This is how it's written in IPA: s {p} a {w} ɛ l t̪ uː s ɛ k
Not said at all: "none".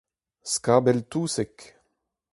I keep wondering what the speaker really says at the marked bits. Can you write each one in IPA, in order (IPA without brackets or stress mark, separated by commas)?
k, b